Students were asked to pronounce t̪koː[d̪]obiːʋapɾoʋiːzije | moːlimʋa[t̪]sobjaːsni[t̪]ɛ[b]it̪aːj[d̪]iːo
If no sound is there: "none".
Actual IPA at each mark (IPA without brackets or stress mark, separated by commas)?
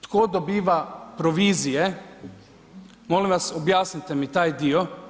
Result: d̪, none, t̪, m, d̪